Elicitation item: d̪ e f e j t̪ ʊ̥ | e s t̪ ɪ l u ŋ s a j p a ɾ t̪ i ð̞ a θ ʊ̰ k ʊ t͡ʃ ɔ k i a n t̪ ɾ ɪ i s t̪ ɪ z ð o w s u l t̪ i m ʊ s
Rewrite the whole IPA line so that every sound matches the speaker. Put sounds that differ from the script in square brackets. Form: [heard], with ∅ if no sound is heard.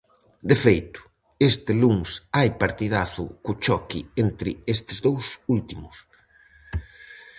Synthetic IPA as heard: d̪ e f e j t̪ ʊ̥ | e s t̪ ɪ l u ŋ s a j p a ɾ t̪ i ð̞ a θ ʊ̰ k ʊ t͡ʃ ɔ k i [e] n t̪ ɾ ɪ [e] s t̪ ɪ z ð o w s u l t̪ i m ʊ s